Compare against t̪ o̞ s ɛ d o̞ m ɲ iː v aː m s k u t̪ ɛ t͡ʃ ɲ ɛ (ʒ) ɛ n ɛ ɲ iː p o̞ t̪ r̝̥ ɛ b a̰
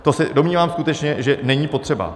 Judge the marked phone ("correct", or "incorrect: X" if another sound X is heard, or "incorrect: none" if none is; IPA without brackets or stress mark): correct